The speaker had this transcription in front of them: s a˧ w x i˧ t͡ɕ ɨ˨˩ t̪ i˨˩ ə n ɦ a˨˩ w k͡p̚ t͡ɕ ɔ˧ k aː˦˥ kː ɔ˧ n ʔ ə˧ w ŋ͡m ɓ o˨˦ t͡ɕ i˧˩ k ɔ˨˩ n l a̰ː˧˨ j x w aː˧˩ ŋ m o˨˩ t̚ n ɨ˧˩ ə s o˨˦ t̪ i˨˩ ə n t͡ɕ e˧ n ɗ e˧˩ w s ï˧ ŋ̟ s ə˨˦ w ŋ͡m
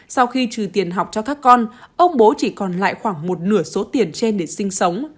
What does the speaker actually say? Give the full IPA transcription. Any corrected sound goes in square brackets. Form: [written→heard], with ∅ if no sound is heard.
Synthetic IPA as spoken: s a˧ w x i˧ t͡ɕ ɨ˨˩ t̪ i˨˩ ə n ɦ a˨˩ w k͡p̚ t͡ɕ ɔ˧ k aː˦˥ kː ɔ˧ n ʔ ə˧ w ŋ͡m ɓ o˨˦ t͡ɕ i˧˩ k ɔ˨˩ n l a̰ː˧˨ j x w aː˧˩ ŋ m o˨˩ t̚ n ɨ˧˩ ə s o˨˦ t̪ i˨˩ ə n t͡ɕ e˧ n ɗ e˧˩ [w→∅] s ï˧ ŋ̟ s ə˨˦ w ŋ͡m

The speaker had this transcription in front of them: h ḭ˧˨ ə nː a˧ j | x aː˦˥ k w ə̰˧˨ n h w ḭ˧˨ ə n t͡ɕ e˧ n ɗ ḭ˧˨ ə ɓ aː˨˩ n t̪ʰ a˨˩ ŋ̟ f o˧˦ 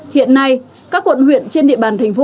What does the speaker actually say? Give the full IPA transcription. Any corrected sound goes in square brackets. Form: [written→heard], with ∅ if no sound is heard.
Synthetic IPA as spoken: h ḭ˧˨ ə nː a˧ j | [x→k] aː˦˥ k w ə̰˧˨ n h w ḭ˧˨ ə n t͡ɕ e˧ n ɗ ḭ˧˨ ə ɓ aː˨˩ n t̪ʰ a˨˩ ŋ̟ f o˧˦

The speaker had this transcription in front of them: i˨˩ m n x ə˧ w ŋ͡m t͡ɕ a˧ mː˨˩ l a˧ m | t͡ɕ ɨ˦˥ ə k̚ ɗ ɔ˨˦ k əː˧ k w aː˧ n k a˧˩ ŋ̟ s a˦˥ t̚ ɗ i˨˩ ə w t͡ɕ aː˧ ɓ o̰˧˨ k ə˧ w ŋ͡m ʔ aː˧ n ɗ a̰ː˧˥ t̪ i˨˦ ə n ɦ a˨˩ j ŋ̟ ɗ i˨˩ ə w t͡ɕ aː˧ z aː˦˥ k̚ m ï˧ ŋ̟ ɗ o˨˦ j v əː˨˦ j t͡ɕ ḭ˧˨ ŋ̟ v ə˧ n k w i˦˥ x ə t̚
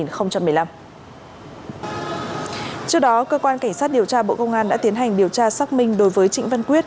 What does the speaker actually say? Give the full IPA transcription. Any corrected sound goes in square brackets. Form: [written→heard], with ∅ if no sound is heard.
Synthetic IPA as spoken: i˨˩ [m→∅] n x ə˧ w ŋ͡m t͡ɕ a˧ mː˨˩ l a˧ m | t͡ɕ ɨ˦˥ ə k̚ ɗ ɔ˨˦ k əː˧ k w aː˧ n k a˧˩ ŋ̟ s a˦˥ t̚ ɗ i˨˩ ə w t͡ɕ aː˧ ɓ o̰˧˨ k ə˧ w ŋ͡m ʔ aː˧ n ɗ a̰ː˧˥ t̪ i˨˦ ə n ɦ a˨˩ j ŋ̟ ɗ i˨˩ ə w t͡ɕ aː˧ [z→s] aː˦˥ k̚ m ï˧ ŋ̟ ɗ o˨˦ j v əː˨˦ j t͡ɕ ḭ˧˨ ŋ̟ v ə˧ n k w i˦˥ [x→∅] ə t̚

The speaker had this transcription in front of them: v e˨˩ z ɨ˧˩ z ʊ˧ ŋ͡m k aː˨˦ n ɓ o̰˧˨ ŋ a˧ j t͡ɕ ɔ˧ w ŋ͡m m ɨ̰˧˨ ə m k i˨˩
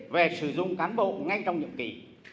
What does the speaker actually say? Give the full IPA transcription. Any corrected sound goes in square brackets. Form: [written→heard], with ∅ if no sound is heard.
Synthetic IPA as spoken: v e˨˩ [z→s] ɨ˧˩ z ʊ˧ ŋ͡m k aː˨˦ n ɓ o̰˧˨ ŋ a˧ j t͡ɕ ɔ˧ w ŋ͡m [m→ɲ] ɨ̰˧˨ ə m k i˨˩

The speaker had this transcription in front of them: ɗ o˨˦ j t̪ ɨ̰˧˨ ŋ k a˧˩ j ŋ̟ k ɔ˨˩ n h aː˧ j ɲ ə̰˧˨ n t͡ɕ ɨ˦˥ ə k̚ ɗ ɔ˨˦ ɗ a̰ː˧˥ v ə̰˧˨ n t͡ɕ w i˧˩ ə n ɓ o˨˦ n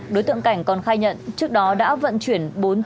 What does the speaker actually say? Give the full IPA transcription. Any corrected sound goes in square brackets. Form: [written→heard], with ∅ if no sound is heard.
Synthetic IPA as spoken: ɗ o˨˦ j t̪ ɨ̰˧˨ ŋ k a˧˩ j ŋ̟ k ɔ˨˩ n [h→x] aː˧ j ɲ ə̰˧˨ n t͡ɕ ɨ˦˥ ə k̚ ɗ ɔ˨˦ ɗ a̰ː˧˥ v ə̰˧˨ n t͡ɕ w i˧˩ ə n ɓ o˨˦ n

